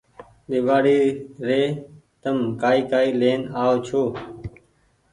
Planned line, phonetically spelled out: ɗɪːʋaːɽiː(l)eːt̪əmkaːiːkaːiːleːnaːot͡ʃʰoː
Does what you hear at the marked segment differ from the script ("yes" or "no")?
yes